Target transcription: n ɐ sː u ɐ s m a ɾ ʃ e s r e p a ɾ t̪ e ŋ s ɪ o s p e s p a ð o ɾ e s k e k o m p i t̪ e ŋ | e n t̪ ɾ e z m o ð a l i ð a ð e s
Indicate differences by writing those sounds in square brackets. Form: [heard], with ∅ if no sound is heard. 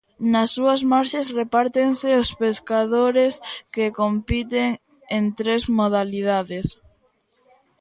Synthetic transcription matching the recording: n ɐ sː u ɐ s m a ɾ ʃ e s r e p a ɾ t̪ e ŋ s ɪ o s p e s [k] a ð o ɾ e s k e k o m p i t̪ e ŋ | e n t̪ ɾ e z m o ð a l i ð a ð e s